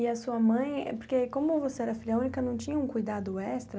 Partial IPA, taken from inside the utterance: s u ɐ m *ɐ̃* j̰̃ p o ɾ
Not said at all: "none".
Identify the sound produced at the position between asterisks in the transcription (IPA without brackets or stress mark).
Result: ɐ̃